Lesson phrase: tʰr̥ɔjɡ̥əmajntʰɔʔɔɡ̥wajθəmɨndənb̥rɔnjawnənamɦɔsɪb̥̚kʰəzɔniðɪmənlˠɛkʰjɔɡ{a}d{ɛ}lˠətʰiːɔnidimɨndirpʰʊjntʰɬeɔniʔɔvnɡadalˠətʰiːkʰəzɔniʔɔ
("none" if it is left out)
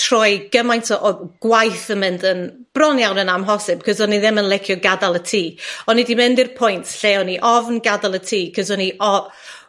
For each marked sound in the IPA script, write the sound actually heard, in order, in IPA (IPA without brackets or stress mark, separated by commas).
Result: a, a